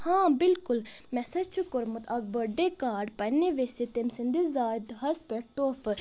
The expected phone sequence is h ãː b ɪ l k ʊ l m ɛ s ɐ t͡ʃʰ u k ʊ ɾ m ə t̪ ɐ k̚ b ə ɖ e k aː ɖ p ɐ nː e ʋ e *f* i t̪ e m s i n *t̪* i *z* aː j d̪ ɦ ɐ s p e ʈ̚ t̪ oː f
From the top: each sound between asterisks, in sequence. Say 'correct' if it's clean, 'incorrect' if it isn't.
incorrect, incorrect, correct

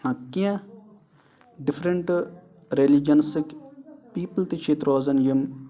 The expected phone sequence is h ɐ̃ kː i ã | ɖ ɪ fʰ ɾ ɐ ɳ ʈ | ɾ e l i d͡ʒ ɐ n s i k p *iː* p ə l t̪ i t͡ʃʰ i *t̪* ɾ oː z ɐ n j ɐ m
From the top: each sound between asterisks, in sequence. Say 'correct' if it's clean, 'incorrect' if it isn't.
correct, correct

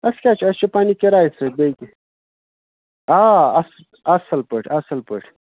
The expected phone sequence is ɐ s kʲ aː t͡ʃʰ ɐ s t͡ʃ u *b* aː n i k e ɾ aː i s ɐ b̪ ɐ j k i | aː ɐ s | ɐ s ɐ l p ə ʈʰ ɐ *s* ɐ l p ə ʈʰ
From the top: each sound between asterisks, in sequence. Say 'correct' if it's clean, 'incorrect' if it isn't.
incorrect, correct

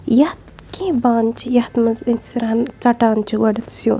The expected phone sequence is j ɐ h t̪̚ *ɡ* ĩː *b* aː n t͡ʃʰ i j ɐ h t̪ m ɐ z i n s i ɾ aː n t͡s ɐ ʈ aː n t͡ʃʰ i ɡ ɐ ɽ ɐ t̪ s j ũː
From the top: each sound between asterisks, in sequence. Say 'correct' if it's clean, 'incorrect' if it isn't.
incorrect, correct

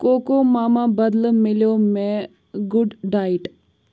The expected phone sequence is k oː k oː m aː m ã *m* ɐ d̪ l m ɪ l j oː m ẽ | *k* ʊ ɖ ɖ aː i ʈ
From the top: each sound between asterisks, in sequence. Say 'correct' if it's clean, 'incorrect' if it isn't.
incorrect, incorrect

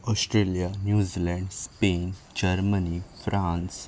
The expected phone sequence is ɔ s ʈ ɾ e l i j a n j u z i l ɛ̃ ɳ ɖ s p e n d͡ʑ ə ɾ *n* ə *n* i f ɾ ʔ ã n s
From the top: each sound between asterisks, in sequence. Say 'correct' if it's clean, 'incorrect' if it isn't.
incorrect, correct

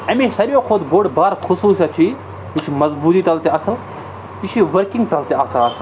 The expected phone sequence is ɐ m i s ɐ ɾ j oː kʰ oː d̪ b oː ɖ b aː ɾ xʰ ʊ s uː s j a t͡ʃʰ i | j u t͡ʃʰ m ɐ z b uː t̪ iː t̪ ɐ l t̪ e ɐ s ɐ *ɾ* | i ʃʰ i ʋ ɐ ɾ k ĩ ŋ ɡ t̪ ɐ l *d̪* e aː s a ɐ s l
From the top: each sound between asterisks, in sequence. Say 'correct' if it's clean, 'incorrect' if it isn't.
incorrect, incorrect

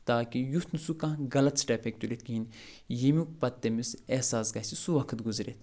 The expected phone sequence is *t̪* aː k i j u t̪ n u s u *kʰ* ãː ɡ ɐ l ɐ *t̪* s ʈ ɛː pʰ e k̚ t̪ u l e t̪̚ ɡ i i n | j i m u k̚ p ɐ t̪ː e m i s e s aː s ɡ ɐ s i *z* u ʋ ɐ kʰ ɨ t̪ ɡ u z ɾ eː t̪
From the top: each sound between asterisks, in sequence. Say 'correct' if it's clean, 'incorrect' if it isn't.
correct, incorrect, correct, incorrect

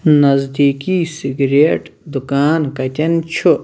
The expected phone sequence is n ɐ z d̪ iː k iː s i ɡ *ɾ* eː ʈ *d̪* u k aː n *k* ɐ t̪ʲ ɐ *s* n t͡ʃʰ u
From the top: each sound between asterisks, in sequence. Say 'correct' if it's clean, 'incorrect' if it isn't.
correct, correct, correct, incorrect

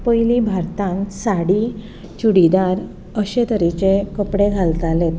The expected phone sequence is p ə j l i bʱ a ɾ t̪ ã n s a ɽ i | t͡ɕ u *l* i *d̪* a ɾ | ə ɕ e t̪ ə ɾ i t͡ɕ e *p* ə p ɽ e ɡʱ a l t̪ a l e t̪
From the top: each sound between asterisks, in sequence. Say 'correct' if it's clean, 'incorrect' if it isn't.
incorrect, correct, incorrect

